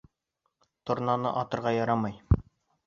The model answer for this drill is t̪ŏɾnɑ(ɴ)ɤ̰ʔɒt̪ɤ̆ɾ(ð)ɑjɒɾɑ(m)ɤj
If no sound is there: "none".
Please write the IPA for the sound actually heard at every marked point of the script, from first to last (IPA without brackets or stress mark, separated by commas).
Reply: n, ʁ, m